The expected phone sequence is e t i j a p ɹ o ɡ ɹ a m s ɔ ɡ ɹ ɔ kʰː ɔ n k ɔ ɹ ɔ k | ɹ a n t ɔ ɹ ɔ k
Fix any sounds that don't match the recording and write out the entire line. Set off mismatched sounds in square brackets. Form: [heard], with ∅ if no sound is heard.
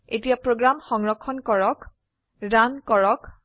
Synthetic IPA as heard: e t i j a p ɹ o ɡ ɹ a m [x] ɔ [ŋ] ɹ ɔ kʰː ɔ n k ɔ ɹ ɔ k | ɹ a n [k] ɔ ɹ ɔ k